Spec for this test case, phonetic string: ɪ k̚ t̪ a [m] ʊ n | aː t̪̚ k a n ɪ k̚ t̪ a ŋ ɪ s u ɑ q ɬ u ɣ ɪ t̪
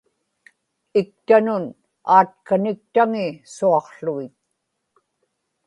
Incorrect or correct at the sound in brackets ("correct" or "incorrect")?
incorrect